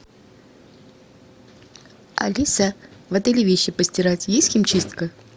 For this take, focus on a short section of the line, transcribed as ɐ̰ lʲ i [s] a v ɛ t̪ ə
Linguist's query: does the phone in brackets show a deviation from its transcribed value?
no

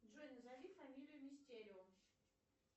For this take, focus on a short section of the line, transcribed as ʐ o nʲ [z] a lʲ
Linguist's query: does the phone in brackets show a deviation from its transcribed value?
no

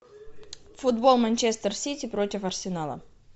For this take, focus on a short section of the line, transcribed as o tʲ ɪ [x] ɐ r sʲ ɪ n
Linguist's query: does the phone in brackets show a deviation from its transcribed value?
yes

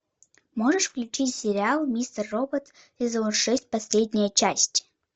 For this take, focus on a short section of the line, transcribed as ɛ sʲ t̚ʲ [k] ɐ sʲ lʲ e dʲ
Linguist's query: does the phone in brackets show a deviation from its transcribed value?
yes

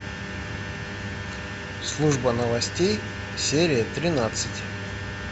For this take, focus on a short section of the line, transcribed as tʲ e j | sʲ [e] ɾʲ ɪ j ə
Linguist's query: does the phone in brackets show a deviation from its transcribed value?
no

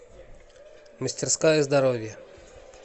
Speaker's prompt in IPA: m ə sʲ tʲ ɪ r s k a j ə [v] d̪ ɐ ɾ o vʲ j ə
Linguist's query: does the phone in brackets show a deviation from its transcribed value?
yes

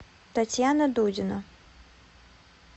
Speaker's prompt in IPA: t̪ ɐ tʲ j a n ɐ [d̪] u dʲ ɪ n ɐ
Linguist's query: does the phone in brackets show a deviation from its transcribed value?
no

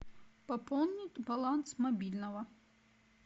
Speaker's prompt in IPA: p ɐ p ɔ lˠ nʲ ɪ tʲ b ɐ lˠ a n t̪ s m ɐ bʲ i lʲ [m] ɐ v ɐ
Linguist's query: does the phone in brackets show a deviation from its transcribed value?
yes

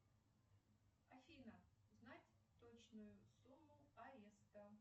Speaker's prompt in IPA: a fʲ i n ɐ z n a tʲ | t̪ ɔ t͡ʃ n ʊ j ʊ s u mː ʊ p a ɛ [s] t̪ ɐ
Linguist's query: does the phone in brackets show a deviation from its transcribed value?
no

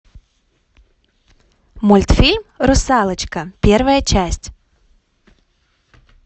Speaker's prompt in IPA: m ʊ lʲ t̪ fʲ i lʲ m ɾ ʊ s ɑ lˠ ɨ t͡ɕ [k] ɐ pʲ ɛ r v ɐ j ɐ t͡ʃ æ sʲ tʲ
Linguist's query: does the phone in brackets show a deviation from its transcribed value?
no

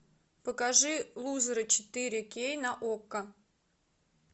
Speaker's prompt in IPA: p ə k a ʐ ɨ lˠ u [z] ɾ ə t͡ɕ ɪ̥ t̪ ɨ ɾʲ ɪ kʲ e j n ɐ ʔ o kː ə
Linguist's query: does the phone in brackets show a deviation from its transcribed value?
no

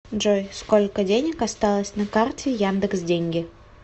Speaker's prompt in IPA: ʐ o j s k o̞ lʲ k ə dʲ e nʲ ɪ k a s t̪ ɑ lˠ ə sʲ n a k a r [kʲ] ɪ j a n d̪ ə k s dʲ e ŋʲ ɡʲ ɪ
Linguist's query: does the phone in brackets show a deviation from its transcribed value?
yes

